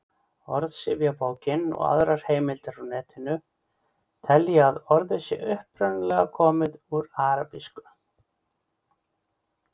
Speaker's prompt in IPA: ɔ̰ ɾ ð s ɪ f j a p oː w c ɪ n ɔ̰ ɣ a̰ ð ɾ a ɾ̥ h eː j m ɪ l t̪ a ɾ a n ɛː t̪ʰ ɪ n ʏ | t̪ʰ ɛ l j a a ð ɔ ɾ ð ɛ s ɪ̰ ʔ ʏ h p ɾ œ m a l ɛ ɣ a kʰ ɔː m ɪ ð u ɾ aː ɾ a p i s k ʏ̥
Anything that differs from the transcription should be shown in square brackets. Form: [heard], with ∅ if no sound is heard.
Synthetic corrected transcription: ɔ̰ ɾ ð s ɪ [v] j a p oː w c ɪ n ɔ̰ ɣ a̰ ð ɾ a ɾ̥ h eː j m ɪ l t̪ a ɾ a n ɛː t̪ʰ ɪ n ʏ | t̪ʰ ɛ l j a a ð ɔ ɾ ð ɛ s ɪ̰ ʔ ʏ h p ɾ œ [n] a l ɛ ɣ a kʰ ɔː m ɪ ð u ɾ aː ɾ a p i s k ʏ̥